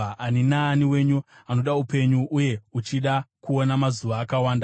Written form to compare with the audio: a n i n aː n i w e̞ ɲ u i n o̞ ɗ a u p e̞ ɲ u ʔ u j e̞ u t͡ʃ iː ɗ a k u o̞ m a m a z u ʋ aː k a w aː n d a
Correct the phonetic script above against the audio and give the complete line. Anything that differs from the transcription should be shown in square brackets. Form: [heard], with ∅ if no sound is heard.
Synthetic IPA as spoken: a n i n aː n i w e̞ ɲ u [a] n o̞ ɗ a u p e̞ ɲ u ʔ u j e̞ u t͡ʃ [i] ɗ a k u o̞ [n] a m a z u ʋ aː k a w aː n d a